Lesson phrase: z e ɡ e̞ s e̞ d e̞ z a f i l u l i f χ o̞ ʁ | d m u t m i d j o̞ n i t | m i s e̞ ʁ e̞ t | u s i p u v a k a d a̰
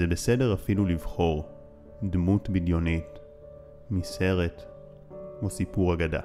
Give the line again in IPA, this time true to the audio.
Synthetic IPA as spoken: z e b e̞ s e̞ d e̞ ʁ a f i l u l i v χ o̞ ʁ | d m u t b i d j o̞ n i t | m i s e̞ ʁ e̞ t | o s i p u ʁ a ɡ a d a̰